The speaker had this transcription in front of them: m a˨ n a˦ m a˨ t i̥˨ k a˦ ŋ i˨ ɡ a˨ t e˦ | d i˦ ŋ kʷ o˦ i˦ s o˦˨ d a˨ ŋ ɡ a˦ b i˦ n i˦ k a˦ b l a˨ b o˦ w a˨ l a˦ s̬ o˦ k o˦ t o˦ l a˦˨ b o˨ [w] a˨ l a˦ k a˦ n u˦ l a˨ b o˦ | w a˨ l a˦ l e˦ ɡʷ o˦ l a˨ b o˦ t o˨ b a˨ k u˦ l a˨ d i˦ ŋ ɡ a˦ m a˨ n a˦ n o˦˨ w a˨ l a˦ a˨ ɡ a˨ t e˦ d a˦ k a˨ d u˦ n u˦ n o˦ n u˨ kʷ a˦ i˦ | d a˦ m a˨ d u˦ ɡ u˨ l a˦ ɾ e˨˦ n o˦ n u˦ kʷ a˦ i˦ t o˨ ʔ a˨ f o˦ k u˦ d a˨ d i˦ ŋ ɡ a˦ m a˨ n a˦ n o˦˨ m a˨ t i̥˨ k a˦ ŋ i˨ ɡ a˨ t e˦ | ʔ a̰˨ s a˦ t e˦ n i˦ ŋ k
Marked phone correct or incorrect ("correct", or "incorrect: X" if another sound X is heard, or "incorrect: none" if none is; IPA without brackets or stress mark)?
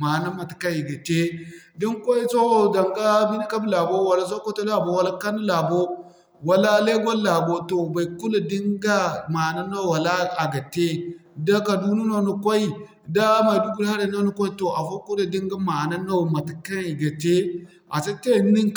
correct